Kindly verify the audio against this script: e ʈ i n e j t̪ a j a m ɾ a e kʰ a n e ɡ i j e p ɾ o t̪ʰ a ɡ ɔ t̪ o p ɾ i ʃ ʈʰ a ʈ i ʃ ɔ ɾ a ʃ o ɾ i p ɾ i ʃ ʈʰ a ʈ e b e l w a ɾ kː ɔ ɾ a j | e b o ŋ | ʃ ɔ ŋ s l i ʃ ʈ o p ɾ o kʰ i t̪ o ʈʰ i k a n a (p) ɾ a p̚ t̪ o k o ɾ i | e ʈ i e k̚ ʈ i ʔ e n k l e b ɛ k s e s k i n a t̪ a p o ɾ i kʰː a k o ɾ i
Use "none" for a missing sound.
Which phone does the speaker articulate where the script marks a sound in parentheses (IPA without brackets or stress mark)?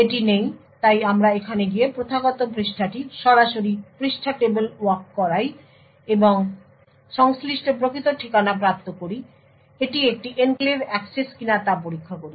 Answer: p